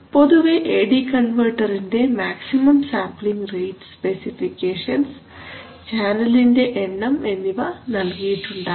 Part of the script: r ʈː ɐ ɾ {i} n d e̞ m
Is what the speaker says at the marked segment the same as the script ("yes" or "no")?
yes